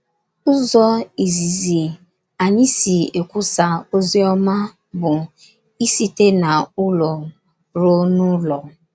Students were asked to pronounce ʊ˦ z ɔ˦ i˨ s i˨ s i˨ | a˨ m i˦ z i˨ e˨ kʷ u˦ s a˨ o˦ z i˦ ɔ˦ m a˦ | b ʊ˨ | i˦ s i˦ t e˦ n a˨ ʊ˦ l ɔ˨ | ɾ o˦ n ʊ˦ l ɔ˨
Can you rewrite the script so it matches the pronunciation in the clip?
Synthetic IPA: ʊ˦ z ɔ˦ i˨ z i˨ z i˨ | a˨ ɲ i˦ s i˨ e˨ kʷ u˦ s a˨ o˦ z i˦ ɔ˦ m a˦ | b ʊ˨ | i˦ s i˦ t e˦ n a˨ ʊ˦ l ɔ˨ | ɾ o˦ n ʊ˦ l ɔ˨